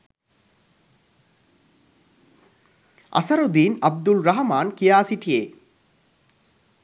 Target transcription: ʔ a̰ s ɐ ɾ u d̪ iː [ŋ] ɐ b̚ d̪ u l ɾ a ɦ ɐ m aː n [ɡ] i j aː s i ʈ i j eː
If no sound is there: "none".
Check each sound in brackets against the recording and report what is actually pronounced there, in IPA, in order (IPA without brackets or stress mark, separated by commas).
n, k